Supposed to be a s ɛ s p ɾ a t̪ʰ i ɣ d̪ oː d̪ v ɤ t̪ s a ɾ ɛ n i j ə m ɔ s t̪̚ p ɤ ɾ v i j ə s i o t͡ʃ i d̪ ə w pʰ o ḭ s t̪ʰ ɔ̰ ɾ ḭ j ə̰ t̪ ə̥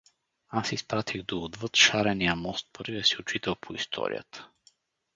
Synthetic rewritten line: a s i s p ɾ a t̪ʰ i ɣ d̪ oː d̪ v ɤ t̪ ʃ a ɾ ɛ n i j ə m ɔ s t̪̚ p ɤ ɾ v i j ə s i o t͡ʃ i t̪ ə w pʰ o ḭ s t̪ʰ ɔ̰ ɾ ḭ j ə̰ t̪ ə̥